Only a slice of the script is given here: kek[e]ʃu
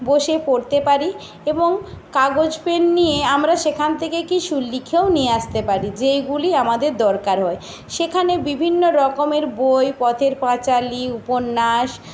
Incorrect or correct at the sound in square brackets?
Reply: incorrect: i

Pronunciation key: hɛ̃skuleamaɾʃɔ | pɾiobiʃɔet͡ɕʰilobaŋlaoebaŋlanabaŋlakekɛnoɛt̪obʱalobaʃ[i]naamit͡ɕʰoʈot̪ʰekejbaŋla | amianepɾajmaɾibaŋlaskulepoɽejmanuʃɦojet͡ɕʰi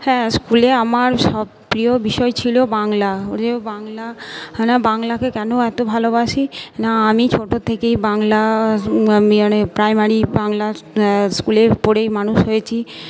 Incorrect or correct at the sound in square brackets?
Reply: correct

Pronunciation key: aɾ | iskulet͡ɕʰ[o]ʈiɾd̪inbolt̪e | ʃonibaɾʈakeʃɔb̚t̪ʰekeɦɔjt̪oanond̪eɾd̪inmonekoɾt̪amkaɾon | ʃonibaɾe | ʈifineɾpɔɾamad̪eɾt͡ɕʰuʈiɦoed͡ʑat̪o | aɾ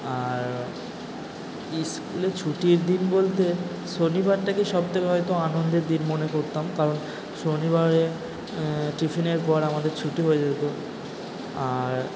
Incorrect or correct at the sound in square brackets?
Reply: incorrect: u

